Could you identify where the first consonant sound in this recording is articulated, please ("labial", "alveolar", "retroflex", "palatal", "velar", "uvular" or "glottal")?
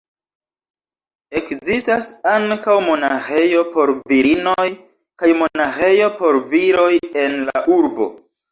velar